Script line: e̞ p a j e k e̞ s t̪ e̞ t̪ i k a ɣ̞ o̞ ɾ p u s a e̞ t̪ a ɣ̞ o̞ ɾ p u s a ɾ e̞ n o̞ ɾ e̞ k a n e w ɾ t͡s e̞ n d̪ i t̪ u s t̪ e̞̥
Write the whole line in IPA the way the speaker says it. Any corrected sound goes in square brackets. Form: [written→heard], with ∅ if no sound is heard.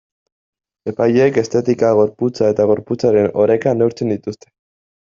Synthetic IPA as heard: e̞ p a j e k e̞ s t̪ e̞ t̪ i k a ɣ̞ o̞ ɾ p u [s→t͡s] a e̞ t̪ a ɣ̞ o̞ ɾ p u [s→t͡s] a ɾ e̞ n o̞ ɾ e̞ k a n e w ɾ t͡s e̞ n d̪ i t̪ u s t̪ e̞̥